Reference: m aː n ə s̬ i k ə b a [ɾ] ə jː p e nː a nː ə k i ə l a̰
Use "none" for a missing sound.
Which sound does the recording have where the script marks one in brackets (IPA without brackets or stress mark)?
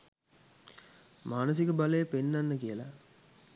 l